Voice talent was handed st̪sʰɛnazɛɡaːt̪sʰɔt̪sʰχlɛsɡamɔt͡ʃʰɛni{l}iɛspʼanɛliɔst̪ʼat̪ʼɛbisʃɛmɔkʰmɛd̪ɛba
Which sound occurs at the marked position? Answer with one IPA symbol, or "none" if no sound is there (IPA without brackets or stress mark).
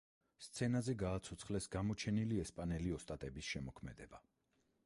l